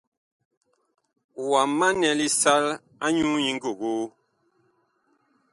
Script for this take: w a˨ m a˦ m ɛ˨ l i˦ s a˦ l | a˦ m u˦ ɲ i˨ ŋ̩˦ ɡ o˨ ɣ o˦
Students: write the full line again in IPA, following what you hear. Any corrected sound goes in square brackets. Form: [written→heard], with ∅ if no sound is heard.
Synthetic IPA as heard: w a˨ m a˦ [m→n] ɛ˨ l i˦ s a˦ l | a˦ [m→ɲ] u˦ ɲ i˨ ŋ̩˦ ɡ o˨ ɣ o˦